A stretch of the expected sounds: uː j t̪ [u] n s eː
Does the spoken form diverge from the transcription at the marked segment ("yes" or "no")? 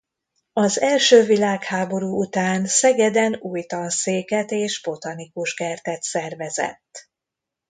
yes